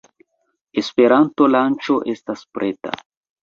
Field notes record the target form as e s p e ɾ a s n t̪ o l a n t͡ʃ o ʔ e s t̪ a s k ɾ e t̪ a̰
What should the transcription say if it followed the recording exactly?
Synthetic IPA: e s p e ɾ a n t̪ o l a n t͡ʃ o ʔ e s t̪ a s p ɾ e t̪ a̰